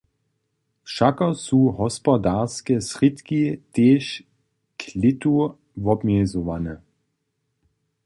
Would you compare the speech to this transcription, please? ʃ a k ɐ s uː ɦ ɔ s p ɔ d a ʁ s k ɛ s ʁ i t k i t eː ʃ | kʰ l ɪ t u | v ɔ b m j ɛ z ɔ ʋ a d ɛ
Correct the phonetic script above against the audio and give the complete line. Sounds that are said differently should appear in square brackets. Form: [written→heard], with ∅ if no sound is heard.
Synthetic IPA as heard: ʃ a k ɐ s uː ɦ ɔ s p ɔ d a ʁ s k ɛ s ʁ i t k i t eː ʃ | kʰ l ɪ t u | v ɔ b m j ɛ z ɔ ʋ a [d→n] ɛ